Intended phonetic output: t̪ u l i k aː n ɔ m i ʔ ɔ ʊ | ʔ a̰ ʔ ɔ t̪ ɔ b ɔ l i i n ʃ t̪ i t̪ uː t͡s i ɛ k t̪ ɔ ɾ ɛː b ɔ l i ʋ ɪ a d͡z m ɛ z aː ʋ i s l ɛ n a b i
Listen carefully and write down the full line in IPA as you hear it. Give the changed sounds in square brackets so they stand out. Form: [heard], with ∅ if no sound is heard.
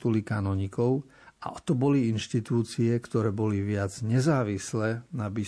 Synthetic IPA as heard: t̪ u l i k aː n ɔ [ɲ] i [k] ɔ ʊ | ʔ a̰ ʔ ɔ t̪ ɔ b ɔ l i i n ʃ t̪ i t̪ uː t͡s i ɛ k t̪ ɔ ɾ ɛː b ɔ l i ʋ ɪ a d͡z [ɲ] ɛ z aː ʋ i s l ɛ n a b i